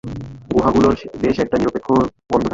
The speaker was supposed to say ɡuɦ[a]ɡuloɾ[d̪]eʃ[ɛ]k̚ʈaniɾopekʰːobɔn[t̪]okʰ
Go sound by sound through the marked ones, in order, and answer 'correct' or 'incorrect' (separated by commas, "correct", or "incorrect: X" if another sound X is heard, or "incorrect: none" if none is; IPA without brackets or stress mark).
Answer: correct, correct, correct, incorrect: d̪